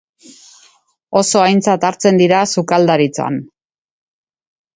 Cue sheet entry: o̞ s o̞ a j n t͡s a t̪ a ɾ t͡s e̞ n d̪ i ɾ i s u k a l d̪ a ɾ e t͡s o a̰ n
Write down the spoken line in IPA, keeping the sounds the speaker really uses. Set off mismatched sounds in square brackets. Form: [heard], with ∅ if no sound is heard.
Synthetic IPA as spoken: o̞ s o̞ a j n t͡s a t̪ a ɾ t͡s e̞ n d̪ i ɾ [a] s u k a l d̪ a ɾ [i] t͡s o a̰ n